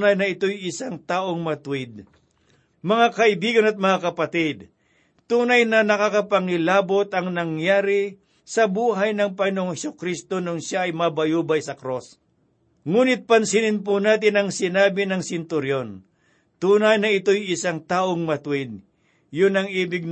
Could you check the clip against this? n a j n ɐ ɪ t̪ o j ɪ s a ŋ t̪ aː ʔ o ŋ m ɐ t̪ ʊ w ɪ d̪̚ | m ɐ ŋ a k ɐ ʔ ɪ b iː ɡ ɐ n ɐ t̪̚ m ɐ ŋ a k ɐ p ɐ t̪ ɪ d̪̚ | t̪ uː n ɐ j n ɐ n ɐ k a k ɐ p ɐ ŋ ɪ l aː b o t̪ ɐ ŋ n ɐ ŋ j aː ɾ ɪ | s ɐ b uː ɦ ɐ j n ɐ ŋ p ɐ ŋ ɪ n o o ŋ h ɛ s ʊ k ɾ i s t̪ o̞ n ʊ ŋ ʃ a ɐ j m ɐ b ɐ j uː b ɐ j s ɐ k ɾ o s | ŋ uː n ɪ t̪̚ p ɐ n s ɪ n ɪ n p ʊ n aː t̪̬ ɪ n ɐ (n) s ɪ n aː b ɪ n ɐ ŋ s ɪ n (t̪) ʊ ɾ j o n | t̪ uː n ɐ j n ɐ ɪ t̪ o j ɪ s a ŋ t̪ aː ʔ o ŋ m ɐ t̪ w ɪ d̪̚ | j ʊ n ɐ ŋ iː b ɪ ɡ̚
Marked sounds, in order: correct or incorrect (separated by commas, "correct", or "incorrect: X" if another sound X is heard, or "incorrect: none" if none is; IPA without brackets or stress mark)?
incorrect: ŋ, correct